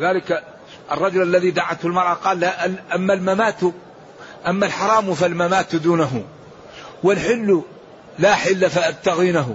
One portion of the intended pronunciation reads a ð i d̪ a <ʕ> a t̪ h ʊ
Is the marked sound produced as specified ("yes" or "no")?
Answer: yes